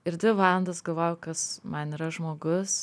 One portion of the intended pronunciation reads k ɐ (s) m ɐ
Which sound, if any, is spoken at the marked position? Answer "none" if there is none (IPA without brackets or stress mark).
s